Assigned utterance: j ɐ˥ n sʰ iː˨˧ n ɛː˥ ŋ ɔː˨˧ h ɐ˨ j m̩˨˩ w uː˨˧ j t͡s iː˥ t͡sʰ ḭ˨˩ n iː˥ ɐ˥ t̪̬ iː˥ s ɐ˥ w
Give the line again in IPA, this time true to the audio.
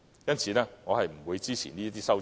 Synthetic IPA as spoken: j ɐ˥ n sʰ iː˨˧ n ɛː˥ ŋ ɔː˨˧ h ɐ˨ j m̩˨˩ w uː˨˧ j t͡s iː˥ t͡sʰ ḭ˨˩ n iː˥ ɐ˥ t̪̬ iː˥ s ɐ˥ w

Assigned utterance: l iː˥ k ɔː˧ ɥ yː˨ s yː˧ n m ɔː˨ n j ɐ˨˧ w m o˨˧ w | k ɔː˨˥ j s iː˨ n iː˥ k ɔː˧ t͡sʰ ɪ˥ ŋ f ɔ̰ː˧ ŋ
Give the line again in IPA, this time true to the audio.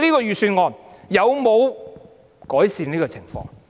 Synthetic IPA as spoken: l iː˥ k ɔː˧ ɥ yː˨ s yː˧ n ŋ ɔː˨ n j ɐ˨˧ w m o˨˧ w | k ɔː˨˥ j s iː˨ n iː˥ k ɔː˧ t͡sʰ ɪ˨˩ ŋ f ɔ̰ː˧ ŋ

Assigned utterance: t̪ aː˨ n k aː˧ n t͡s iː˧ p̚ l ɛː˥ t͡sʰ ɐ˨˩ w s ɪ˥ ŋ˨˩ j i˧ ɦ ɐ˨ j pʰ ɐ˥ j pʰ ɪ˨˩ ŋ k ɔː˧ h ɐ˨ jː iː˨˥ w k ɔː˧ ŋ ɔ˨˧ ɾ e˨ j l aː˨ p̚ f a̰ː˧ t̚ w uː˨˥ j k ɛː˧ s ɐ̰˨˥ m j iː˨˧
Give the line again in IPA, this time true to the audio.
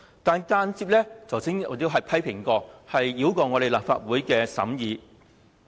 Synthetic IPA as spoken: t̪ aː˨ n k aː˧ n t͡s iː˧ p̚ l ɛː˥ t͡sʰ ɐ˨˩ w s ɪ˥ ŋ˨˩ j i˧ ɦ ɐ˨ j pʰ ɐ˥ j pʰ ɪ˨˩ ŋ k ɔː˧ h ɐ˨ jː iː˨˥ w k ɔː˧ ŋ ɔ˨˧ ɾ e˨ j l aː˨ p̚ f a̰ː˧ t̚ w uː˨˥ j k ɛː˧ s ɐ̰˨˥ m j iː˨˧

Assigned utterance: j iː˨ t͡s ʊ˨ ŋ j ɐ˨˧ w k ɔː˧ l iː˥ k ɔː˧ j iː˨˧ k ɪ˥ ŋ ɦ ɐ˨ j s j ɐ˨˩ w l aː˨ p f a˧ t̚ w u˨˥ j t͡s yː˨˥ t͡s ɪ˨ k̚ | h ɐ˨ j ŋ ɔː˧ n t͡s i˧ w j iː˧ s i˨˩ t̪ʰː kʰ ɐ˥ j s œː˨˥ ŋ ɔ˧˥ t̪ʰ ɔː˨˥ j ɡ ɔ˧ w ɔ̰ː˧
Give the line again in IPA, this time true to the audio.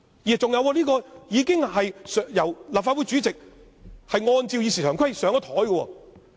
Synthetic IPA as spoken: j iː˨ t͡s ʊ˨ ŋ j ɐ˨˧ w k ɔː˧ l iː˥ k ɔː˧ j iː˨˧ k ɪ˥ ŋ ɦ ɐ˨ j s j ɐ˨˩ w l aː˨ p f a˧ t̚ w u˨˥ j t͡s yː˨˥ t͡s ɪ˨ k̚ | h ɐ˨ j ŋ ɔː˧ n t͡s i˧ w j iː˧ s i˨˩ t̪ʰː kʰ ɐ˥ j s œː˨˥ ŋ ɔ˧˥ t̪ʰ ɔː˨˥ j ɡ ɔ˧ w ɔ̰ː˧

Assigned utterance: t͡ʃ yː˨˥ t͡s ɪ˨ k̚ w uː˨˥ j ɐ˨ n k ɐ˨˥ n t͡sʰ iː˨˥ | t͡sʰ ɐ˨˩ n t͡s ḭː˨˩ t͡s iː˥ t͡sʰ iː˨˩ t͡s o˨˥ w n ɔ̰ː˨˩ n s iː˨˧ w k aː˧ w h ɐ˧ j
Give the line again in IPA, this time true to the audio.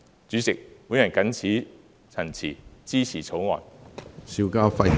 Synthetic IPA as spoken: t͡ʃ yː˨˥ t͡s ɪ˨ k̚ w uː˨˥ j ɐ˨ n k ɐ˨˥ n t͡sʰ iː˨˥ | t͡sʰ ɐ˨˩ n t͡sʰ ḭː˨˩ t͡s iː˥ t͡sʰ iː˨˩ t͡sʰ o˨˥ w ŋ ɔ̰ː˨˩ n s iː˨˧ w k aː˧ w f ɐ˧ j

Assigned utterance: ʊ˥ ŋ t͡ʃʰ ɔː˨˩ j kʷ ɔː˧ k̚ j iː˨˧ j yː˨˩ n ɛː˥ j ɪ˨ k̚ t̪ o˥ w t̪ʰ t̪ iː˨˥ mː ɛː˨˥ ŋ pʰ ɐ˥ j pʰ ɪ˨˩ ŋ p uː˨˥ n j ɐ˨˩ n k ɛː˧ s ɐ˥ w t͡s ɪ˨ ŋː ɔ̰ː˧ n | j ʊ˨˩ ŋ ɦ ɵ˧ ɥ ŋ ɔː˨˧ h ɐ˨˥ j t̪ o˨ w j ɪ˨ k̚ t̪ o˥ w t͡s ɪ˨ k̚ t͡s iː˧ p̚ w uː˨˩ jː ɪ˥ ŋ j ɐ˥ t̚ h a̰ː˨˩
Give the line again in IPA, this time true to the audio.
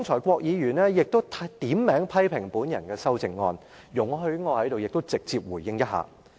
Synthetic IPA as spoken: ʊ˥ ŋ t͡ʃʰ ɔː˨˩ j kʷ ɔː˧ k̚ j iː˨˧ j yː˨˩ n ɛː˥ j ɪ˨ k̚ t̪ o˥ w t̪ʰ t̪ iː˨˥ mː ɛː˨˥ ŋ pʰ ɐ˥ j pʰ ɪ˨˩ ŋ p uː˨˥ n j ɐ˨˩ n k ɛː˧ s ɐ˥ w t͡s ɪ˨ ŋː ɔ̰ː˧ n | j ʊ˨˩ ŋ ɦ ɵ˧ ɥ ŋ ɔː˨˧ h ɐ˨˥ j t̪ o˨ w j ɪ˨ k̚ t̪ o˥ w t͡s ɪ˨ k̚ t͡s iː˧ p̚ w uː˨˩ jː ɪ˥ ŋ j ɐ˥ t̚ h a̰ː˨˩

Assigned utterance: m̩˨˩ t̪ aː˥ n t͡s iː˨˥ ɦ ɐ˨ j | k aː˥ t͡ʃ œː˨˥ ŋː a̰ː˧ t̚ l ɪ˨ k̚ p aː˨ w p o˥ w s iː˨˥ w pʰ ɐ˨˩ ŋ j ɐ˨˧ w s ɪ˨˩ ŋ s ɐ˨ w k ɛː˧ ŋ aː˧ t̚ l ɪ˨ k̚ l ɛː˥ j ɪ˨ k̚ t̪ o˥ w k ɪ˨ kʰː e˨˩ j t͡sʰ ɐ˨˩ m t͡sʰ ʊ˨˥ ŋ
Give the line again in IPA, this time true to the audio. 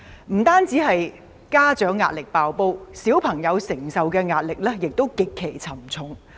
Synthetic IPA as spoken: m̩˨˩ t̪ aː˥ n t͡s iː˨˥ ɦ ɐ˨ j | k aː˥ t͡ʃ œː˨˥ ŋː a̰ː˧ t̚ l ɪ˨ k̚ p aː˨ w p o˥ w s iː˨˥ w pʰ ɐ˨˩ ŋ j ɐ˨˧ w s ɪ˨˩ ŋ s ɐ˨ w k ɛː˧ ŋ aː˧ t̚ l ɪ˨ k̚ l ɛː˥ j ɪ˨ k̚ t̪ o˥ w k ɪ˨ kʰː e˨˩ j t͡sʰ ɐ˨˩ m t͡sʰ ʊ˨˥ ŋ

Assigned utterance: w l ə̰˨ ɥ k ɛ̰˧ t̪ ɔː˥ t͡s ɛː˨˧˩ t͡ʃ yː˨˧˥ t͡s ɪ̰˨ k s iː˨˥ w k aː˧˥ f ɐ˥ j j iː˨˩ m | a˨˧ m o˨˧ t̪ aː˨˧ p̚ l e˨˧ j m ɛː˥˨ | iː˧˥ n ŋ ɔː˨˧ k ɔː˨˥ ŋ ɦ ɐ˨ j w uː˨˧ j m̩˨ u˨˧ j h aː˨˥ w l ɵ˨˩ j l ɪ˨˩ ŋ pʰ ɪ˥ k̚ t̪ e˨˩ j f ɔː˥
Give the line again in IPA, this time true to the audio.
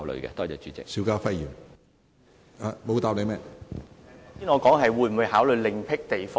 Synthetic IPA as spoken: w l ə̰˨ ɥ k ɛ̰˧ t̪ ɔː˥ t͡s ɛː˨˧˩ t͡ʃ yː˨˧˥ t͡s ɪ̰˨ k s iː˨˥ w k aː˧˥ f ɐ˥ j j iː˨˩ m | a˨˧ m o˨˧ t̪ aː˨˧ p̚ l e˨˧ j m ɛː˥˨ | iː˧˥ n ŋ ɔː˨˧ k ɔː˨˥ ŋ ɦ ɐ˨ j w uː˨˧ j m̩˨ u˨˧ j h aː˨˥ w l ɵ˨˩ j l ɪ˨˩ ŋ pʰ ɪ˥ k̚ t̪ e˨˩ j f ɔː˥

